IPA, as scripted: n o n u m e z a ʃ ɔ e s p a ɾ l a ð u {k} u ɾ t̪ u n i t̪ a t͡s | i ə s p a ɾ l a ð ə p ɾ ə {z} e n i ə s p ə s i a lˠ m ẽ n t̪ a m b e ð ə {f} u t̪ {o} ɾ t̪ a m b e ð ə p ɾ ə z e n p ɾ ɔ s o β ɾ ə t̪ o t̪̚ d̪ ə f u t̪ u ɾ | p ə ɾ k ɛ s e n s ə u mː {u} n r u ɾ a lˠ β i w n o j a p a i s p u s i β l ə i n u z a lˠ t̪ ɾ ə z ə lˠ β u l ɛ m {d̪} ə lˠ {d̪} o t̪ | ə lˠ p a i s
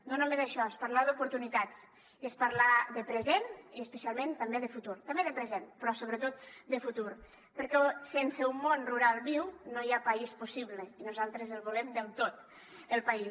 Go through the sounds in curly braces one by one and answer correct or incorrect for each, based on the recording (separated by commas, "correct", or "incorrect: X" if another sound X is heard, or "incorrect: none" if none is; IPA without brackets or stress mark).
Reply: incorrect: p, correct, correct, incorrect: u, incorrect: o, correct, incorrect: t̪